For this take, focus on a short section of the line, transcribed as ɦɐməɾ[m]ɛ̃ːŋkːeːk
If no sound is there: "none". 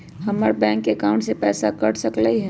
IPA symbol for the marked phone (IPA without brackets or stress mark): b